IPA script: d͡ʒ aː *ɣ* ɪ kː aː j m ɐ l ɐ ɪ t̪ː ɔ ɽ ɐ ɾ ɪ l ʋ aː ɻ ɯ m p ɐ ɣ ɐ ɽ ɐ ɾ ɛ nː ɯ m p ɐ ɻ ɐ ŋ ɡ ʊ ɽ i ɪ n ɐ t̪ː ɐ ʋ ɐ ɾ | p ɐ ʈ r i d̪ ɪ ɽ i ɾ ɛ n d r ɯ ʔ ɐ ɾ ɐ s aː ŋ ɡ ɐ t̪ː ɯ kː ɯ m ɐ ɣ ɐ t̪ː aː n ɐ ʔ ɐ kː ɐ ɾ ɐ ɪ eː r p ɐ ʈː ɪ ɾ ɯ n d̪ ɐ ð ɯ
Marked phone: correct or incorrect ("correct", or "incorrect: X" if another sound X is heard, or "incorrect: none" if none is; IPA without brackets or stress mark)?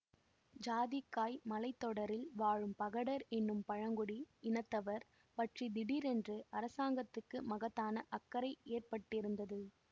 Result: incorrect: ð